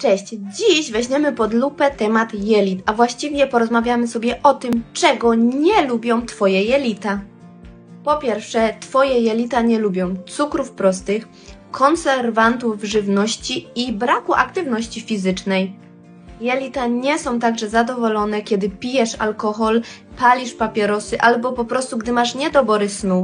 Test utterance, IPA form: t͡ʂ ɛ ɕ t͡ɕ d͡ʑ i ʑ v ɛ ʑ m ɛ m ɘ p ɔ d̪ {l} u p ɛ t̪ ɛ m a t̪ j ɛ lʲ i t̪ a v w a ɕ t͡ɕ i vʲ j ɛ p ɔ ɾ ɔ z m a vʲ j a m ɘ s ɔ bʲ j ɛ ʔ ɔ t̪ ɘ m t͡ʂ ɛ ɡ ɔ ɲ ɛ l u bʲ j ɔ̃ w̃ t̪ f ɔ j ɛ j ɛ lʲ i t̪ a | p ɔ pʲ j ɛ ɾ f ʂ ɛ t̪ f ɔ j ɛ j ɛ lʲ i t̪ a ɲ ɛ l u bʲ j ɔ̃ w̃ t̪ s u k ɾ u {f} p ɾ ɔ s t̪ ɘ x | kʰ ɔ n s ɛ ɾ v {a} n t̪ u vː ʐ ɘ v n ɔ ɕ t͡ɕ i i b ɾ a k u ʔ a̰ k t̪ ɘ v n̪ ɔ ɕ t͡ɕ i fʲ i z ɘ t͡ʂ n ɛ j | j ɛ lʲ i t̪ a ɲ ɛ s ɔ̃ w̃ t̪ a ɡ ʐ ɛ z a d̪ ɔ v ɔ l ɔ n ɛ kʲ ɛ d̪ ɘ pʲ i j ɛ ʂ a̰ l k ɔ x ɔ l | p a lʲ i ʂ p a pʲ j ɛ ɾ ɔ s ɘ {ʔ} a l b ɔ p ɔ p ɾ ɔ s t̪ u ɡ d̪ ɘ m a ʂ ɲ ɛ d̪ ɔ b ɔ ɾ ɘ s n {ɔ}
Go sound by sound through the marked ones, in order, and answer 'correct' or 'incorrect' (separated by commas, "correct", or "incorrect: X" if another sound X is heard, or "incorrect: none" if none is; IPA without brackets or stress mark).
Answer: correct, correct, correct, correct, incorrect: u